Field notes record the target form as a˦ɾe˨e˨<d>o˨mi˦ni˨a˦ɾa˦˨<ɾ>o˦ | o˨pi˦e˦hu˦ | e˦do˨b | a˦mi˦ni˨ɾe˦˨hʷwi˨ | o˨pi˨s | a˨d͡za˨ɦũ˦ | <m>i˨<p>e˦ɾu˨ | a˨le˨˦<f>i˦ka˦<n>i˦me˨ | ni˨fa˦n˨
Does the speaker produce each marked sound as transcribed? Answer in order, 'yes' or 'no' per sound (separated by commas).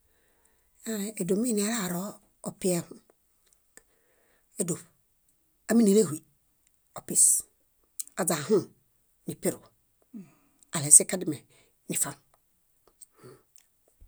yes, yes, no, yes, no, no